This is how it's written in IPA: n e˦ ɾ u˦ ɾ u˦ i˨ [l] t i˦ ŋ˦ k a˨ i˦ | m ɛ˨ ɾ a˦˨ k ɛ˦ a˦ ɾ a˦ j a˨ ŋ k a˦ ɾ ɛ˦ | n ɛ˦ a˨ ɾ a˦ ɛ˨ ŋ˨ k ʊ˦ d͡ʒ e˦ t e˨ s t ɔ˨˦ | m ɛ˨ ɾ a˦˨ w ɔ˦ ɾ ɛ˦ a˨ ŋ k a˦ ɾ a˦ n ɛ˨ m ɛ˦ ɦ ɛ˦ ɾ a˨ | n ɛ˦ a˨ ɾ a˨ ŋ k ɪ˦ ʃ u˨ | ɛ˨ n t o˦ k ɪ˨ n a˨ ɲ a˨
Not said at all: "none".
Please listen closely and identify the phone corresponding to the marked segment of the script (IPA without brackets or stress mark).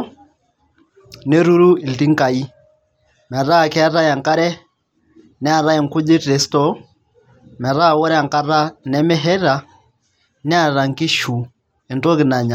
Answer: l